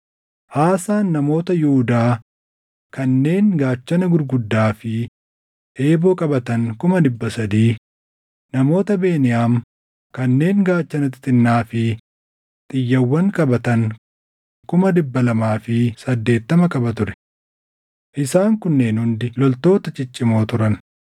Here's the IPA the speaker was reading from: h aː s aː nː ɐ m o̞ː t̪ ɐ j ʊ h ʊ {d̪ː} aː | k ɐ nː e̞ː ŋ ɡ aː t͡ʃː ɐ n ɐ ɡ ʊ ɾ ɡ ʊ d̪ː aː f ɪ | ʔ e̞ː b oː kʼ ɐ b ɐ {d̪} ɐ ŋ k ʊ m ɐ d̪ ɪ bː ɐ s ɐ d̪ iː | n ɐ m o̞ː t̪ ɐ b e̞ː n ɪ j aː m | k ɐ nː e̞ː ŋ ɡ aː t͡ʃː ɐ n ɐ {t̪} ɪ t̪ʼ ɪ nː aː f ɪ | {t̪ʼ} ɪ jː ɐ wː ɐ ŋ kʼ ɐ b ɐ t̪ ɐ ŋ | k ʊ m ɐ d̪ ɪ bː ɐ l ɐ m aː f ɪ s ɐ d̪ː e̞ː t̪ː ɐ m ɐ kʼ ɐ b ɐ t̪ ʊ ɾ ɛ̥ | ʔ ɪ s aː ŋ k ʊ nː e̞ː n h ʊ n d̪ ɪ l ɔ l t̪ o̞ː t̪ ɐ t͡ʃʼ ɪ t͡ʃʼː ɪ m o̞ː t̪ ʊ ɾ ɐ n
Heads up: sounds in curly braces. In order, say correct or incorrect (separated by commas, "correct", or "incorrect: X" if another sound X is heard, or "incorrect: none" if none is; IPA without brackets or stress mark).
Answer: incorrect: d̪, incorrect: t̪, correct, correct